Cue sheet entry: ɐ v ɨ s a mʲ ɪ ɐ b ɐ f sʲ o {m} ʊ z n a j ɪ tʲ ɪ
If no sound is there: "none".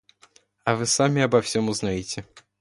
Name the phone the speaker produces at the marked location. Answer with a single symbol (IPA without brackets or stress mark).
m